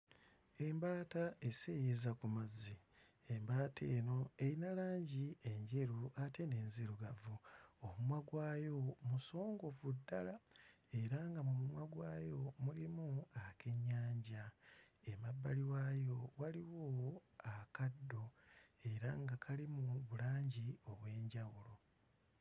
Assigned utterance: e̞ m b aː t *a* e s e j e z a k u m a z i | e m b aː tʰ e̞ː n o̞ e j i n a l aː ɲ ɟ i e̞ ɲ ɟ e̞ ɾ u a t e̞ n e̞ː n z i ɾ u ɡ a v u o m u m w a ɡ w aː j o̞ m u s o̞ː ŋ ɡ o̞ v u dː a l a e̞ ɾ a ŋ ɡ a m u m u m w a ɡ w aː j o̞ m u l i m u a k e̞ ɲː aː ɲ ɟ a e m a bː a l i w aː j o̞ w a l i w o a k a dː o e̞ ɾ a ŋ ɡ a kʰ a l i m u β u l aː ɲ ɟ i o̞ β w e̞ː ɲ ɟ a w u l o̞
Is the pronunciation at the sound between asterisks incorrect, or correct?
correct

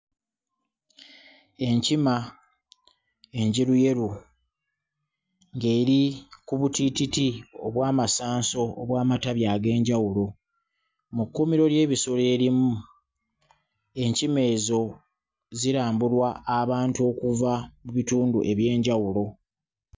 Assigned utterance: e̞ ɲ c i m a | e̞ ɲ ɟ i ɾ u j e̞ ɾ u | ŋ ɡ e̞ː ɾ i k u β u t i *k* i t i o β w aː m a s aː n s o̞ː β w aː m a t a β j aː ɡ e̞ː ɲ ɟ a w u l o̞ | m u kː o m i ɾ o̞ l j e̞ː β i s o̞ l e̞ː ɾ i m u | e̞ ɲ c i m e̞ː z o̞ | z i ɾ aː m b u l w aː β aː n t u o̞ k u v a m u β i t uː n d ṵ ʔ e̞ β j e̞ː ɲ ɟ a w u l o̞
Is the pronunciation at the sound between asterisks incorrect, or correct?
incorrect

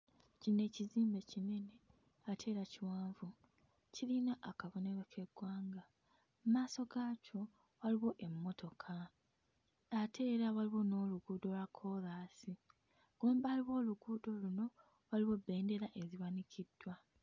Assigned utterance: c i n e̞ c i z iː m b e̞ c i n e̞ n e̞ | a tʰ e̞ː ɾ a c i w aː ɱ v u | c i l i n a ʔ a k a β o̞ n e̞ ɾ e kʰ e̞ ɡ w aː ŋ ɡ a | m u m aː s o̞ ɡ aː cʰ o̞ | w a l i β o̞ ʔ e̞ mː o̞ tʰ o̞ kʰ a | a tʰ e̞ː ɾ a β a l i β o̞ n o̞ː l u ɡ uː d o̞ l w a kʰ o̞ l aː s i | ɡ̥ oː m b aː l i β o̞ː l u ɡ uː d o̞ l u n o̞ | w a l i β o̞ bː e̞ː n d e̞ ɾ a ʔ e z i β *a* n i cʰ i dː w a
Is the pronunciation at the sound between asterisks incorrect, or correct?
correct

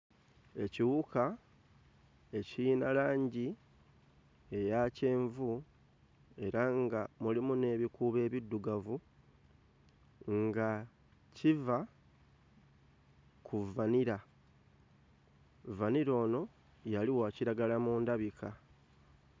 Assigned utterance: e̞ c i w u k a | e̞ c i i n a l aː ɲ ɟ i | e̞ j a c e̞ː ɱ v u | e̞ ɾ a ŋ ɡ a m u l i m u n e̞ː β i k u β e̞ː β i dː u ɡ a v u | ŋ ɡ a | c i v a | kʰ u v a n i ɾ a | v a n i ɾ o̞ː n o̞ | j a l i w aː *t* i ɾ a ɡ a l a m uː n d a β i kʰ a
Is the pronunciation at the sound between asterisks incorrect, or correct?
incorrect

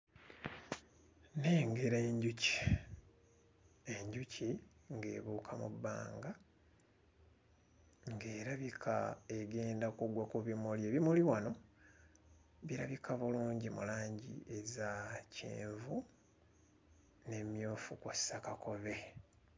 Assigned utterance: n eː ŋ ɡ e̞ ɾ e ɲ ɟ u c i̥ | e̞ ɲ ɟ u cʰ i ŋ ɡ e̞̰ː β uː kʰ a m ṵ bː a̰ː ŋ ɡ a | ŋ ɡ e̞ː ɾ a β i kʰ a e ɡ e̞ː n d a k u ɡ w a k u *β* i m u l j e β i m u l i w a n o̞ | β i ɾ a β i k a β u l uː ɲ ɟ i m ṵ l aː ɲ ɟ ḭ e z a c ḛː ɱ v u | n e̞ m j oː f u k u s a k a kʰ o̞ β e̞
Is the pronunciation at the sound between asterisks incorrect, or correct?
correct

